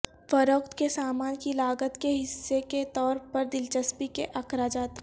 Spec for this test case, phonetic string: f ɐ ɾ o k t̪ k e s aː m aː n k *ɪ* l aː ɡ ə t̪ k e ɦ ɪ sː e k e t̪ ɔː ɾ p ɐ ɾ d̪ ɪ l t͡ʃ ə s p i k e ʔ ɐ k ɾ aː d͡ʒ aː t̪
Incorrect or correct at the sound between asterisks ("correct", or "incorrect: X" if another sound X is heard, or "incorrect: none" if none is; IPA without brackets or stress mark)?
incorrect: i